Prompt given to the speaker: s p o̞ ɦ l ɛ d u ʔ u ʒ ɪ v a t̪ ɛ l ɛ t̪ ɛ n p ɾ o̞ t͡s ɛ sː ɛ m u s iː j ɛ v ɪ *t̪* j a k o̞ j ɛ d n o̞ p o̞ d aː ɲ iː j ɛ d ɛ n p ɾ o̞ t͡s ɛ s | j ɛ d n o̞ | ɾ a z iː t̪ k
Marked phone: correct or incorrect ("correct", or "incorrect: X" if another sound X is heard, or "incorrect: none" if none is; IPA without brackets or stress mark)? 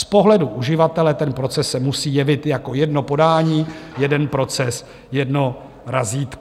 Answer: correct